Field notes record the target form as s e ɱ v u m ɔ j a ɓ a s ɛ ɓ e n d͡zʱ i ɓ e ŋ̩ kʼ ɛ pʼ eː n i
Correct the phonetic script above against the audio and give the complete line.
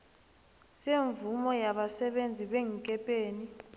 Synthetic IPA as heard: s e ɱ v u m ɔ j a ɓ a s ɛ ɓ e n d͡zʱ i ɓ e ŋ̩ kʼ ɛ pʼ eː n i